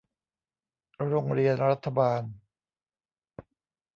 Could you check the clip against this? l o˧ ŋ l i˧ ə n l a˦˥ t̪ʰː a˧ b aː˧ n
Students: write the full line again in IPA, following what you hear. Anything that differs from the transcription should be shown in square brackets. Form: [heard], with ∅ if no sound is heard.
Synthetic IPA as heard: [ɾ] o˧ ŋ [ɾ] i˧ ə n [ɾ] a˦˥ t̪ʰː a˧ b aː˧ n